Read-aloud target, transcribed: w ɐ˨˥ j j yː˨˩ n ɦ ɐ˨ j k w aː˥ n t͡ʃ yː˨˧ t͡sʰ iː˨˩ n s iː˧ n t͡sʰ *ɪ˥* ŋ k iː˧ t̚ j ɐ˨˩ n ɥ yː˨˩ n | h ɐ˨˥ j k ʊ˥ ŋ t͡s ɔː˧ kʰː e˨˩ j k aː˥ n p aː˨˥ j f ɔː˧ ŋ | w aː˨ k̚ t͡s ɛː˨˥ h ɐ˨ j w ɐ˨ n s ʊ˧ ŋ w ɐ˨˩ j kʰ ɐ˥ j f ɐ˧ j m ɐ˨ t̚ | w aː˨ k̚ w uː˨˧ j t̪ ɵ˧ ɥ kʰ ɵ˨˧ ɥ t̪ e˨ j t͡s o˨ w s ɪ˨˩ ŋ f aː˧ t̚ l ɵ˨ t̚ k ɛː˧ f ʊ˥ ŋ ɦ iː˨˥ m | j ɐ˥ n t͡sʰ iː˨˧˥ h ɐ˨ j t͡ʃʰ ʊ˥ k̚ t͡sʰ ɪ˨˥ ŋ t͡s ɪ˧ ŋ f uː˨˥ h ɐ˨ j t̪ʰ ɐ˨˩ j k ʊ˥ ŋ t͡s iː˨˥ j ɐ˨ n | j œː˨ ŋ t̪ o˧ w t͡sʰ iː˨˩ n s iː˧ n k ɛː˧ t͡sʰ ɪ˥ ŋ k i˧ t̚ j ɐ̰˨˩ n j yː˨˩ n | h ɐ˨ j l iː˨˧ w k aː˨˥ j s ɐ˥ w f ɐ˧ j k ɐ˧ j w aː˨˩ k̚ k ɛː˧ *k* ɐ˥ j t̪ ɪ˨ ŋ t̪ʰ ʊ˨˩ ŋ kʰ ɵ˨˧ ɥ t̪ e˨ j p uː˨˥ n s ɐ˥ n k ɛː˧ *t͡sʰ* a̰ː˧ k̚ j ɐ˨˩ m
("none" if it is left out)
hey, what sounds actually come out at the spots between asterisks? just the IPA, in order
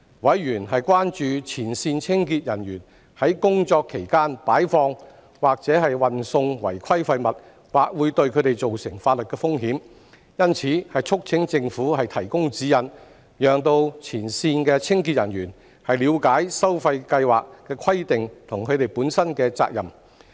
ɪ˥, kʰ, t͡s

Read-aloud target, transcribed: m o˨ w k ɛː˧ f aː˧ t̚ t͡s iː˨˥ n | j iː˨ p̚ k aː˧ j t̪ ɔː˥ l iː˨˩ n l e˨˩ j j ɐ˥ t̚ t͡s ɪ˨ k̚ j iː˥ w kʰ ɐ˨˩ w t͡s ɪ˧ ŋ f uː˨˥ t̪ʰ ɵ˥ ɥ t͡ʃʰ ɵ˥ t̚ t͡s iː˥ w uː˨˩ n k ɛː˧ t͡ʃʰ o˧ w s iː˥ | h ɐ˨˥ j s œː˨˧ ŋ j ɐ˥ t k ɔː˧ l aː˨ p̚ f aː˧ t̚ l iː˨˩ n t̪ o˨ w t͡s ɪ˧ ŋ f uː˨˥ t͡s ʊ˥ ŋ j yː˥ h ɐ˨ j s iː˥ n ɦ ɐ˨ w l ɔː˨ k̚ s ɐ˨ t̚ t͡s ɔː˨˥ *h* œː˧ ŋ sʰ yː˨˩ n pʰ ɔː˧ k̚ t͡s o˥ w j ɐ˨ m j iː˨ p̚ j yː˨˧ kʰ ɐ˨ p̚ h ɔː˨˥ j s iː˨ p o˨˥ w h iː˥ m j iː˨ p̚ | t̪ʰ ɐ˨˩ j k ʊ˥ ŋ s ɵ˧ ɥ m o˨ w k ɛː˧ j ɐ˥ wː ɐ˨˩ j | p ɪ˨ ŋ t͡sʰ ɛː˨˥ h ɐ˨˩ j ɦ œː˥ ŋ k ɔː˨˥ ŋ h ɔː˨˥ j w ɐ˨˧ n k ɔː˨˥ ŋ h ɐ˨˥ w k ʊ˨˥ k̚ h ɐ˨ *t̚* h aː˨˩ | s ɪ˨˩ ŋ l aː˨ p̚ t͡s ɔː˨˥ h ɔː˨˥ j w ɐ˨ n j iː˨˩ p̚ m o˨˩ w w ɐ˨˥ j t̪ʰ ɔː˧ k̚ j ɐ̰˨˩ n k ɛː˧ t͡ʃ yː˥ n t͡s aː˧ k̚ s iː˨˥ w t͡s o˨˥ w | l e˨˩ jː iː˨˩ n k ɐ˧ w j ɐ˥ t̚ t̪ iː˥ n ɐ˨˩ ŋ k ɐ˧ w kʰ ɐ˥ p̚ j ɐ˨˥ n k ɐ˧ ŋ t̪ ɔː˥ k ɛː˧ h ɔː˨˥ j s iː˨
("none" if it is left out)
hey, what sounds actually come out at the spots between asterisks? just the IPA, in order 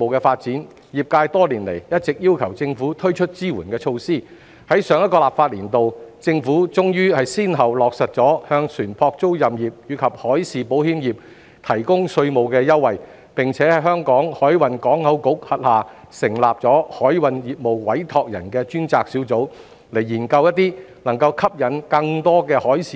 h, t̚

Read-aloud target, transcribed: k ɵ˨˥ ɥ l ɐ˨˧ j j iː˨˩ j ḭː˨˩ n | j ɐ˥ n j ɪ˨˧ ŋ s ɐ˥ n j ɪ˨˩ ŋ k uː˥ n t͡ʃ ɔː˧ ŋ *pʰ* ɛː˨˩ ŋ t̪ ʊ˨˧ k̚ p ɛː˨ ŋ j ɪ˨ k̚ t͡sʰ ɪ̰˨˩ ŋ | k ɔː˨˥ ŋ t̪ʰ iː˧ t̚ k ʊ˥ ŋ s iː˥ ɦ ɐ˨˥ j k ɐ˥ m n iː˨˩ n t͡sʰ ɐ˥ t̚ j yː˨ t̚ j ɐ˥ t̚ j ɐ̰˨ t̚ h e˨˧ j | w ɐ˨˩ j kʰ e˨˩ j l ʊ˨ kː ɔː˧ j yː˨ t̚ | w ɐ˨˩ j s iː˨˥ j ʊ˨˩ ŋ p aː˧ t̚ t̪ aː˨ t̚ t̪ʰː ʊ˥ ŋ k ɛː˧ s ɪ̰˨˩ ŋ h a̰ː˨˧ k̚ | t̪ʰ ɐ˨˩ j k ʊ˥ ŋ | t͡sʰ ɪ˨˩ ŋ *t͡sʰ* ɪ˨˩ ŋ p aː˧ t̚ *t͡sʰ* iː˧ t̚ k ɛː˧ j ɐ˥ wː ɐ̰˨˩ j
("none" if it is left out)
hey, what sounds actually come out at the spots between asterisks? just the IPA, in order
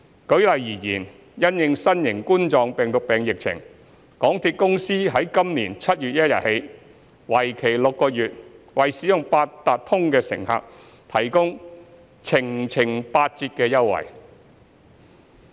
p, t͡sʰ, t͡s

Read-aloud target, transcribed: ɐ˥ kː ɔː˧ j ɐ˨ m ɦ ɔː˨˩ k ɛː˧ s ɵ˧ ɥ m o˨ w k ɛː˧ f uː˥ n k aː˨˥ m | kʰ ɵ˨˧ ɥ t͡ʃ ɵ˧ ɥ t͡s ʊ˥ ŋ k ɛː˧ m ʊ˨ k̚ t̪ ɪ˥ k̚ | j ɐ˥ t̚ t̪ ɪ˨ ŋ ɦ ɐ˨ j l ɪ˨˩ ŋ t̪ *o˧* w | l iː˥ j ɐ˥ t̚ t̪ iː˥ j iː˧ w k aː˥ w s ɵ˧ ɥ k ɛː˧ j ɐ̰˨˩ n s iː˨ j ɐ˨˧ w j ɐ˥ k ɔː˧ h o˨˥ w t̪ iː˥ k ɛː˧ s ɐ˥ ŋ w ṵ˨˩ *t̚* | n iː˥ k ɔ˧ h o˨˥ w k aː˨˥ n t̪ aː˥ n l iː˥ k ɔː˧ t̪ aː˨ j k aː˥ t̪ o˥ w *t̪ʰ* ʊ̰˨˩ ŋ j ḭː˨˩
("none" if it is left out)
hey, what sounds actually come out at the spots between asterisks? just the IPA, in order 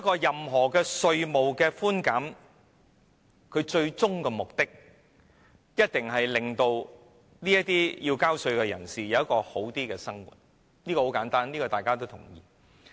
o˧, t̚, t̪ʰ

